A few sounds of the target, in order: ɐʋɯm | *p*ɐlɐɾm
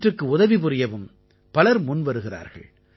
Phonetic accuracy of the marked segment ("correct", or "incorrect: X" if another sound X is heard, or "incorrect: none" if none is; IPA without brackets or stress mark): correct